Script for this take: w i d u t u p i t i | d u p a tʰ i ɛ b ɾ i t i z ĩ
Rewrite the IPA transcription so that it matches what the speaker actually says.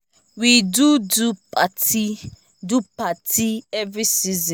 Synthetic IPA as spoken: w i d u d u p a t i | d u p a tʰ i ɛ v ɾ i s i z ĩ